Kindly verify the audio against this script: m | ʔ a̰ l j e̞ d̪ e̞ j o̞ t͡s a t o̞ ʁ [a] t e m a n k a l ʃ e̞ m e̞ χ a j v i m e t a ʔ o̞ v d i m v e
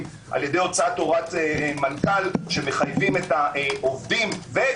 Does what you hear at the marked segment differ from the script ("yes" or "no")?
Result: no